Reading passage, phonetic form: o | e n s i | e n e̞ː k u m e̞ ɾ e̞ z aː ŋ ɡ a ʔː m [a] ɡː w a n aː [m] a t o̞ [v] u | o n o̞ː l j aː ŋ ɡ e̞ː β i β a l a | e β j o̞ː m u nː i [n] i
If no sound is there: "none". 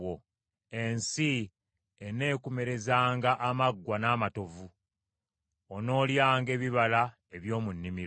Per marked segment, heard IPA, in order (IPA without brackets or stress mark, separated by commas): a, m, v, m